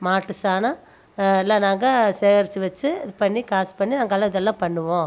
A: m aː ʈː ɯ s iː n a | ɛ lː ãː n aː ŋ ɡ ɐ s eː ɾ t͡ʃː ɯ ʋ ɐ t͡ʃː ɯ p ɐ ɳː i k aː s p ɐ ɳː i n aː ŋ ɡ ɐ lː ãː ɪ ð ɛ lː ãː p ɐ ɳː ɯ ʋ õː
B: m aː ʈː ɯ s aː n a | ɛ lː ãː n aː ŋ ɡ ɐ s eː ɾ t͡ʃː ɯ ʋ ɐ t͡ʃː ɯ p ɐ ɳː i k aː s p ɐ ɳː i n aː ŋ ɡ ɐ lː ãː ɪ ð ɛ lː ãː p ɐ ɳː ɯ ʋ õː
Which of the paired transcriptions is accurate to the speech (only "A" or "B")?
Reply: B